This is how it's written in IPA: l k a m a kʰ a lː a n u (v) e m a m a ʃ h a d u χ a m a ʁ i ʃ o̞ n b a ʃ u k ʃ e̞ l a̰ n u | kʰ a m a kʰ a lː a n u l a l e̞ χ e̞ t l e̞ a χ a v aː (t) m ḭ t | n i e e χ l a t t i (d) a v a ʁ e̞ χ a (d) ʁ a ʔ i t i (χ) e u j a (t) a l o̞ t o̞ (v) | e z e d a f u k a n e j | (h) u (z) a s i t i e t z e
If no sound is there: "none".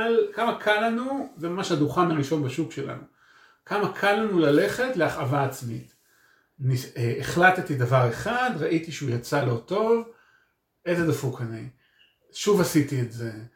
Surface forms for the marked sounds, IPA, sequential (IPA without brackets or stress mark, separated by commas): z, t͡s, d, d, ʃ, t͡s, v, ʃ, v